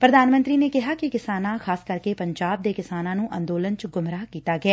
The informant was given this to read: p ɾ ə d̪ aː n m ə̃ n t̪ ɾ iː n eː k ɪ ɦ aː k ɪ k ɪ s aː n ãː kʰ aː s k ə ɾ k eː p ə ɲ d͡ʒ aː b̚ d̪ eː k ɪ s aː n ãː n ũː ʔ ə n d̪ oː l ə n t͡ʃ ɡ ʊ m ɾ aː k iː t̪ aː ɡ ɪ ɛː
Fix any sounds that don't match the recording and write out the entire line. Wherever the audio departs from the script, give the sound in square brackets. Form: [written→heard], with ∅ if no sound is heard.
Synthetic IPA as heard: p ɾ ə d̪ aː n m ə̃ n t̪ ɾ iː n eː k ɪ ɦ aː k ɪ k ɪ s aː n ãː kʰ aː s k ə ɾ k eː p ə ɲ d͡ʒ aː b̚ d̪ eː k ɪ s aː n ãː n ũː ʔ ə n d̪ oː l ə n t͡ʃ ɡ ʊ m ɾ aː k iː t̪ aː ɡ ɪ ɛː